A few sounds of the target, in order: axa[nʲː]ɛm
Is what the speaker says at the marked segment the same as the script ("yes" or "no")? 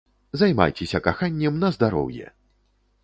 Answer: yes